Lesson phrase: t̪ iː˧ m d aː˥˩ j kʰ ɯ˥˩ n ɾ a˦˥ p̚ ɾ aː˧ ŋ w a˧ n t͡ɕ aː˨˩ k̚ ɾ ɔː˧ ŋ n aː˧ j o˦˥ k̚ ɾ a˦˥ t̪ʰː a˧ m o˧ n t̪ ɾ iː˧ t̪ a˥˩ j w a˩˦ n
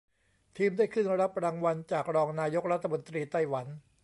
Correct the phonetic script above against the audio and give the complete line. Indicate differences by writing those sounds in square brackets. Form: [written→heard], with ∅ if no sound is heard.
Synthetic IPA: [t̪→t̪ʰ] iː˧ m d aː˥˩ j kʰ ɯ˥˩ n ɾ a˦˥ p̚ ɾ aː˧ ŋ w a˧ n t͡ɕ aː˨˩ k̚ ɾ ɔː˧ ŋ n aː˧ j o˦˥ k̚ ɾ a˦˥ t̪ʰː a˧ m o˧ n t̪ ɾ iː˧ t̪ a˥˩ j w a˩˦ n